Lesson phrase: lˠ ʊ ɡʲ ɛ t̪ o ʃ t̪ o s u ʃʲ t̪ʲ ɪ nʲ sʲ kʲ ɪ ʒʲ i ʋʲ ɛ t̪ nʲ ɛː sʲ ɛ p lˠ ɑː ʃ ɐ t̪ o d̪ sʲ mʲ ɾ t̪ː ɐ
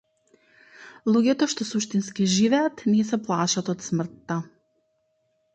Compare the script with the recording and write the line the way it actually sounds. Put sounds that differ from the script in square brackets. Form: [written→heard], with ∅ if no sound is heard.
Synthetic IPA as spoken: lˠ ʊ ɡʲ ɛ t̪ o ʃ t̪ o s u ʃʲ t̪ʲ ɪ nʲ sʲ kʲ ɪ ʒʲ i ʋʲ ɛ t̪ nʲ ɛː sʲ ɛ p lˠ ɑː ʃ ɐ t̪ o [d̪→t̪] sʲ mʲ ɾ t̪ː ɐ